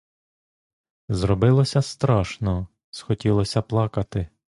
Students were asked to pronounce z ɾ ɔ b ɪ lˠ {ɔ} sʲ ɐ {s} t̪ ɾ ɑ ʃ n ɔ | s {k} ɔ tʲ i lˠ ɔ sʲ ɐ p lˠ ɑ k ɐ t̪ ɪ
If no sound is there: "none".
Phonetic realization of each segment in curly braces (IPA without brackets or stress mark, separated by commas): ɔ, s, x